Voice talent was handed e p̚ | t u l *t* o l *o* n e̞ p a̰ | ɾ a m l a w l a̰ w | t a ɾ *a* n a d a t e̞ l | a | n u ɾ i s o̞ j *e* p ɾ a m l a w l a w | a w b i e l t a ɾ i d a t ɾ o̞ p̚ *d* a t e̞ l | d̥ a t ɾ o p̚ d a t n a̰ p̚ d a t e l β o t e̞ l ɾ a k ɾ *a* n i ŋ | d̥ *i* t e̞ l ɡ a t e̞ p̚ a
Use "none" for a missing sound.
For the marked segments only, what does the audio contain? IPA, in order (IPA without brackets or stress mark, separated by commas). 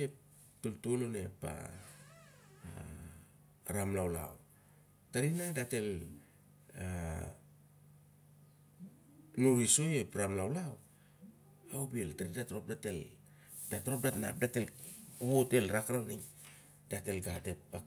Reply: t, o, i, e, d, a, a